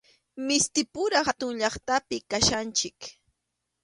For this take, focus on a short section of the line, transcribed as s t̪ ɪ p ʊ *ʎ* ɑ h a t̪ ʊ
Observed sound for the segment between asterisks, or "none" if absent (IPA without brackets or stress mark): ɾ